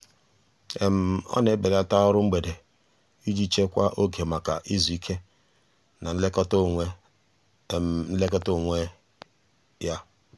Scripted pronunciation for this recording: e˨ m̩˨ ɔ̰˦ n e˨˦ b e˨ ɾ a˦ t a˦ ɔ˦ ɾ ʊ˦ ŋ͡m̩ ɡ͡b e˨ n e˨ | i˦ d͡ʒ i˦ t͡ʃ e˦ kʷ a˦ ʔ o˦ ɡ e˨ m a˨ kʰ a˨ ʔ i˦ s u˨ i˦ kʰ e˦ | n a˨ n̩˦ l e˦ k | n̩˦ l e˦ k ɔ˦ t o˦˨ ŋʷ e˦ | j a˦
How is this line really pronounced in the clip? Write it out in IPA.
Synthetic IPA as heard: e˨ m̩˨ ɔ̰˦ n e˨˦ b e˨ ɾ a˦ t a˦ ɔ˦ ɾ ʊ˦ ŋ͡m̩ ɡ͡b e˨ d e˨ | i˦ d͡ʒ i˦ t͡ʃ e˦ kʷ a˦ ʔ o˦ ɡ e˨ m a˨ k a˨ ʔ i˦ z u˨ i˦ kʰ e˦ | n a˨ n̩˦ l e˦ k | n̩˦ l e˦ k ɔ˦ t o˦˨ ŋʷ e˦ | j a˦